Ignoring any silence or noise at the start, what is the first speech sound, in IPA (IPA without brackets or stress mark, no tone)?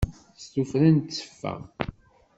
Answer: s